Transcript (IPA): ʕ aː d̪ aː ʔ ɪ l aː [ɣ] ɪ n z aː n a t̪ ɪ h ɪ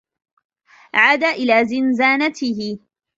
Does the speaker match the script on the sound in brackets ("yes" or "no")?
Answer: no